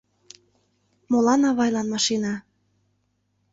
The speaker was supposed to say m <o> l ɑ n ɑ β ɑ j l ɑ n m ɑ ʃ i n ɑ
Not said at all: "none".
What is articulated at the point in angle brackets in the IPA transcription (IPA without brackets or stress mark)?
o